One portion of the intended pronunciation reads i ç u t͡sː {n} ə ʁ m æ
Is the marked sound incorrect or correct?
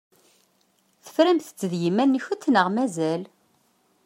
correct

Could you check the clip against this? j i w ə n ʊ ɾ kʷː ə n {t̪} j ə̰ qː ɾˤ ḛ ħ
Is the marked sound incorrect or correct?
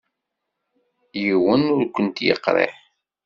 correct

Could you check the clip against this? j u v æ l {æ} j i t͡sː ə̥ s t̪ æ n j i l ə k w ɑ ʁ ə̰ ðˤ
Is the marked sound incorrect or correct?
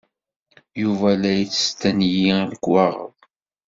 correct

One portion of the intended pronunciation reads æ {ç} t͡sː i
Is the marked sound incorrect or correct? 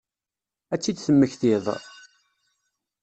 incorrect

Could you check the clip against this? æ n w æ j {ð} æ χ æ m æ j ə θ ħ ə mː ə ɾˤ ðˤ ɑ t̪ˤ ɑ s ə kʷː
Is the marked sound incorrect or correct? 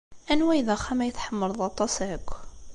correct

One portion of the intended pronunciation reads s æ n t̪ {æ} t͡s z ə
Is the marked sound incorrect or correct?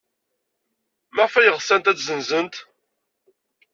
correct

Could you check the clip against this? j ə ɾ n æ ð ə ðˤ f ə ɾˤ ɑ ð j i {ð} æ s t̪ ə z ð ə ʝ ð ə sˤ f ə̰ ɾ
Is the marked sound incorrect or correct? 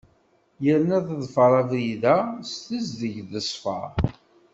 correct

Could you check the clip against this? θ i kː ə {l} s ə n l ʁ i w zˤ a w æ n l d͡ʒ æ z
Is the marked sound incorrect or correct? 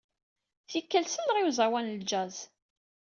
correct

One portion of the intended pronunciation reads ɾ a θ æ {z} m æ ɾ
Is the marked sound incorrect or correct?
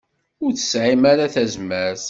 correct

